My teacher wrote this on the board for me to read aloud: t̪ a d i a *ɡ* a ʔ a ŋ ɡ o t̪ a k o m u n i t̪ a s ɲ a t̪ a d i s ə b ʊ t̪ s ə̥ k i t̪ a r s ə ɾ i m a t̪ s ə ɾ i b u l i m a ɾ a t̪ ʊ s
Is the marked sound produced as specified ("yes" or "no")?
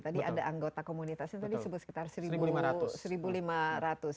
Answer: no